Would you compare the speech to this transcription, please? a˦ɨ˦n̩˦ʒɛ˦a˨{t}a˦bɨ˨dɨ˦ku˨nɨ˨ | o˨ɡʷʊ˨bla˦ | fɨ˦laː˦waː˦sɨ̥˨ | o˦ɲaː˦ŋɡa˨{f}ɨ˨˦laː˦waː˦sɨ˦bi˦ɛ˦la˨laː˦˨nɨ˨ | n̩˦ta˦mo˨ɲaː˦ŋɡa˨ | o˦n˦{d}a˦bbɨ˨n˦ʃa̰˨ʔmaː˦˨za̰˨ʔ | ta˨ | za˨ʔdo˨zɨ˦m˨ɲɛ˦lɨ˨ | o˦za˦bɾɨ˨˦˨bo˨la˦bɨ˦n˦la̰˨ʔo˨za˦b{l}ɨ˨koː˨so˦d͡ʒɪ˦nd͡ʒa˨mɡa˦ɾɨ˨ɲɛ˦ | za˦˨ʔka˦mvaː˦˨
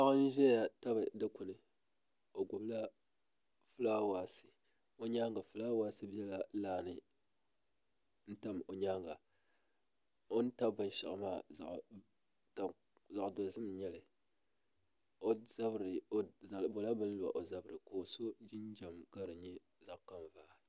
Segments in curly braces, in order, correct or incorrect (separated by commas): correct, correct, incorrect, incorrect